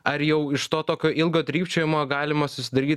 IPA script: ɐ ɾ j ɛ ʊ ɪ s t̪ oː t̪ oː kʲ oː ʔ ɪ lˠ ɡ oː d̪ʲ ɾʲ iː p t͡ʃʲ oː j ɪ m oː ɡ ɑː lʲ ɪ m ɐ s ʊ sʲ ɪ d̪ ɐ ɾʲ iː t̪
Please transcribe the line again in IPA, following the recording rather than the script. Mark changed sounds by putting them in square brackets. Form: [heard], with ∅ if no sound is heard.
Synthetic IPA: ɐ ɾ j ɛ ʊ ɪ [ʃ] t̪ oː t̪ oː kʲ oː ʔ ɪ lˠ ɡ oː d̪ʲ ɾʲ iː p t͡ʃʲ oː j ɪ m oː ɡ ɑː lʲ ɪ m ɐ s ʊ sʲ ɪ d̪ ɐ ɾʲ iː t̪